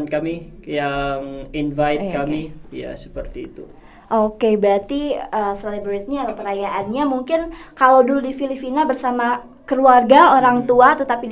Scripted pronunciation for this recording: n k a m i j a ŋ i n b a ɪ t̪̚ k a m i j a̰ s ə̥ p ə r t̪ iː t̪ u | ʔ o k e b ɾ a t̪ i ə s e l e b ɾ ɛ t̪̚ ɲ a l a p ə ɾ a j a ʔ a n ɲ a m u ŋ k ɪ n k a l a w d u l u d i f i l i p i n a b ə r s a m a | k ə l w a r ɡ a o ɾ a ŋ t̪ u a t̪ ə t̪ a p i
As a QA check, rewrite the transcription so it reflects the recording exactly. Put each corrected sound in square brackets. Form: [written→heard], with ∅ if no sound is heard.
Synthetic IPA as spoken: n k a m i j a ŋ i n [b→v] a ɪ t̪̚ k a m i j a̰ s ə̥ p ə r t̪ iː t̪ u | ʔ o k e b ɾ a t̪ i ə s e l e b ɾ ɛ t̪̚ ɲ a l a p ə ɾ a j a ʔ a n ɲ a m u ŋ k ɪ n k a l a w d u l u d i f i l i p i n a b ə r s a m a | k ə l [w→u] a r ɡ a o ɾ a ŋ t̪ u a t̪ ə t̪ a p i